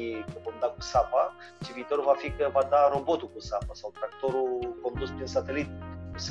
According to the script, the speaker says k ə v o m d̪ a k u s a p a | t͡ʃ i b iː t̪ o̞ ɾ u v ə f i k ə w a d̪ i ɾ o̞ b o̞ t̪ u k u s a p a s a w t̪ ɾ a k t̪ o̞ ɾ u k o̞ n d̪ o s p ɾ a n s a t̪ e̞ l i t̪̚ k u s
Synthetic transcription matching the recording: k ə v o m d̪ a k u s a p a | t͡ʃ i v iː t̪ o̞ ɾ u v a f i k ə v a d̪ a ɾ o̞ b o̞ t̪ u k u s a p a s a w t̪ ɾ a k t̪ o̞ ɾ u k o̞ n d̪ u s p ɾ i n s a t̪ e̞ l i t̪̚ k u s